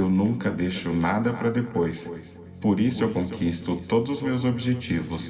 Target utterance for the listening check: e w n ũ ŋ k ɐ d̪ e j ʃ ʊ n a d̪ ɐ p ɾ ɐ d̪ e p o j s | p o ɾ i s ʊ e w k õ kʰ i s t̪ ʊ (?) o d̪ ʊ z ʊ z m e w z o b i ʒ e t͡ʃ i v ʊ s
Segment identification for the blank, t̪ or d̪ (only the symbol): t̪